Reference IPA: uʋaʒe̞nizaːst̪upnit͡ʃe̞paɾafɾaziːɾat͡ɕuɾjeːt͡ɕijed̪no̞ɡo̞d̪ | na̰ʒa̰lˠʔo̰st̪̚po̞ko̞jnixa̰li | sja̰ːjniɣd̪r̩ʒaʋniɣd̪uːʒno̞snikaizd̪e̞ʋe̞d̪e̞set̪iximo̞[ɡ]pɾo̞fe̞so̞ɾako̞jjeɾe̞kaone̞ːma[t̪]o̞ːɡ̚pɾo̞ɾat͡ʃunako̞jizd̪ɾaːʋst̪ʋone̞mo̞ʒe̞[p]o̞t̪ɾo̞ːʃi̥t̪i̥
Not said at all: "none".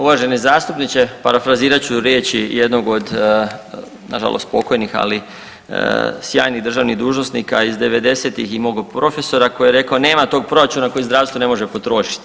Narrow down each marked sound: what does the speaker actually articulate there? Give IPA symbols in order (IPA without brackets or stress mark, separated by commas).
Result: ɡ, t̪, p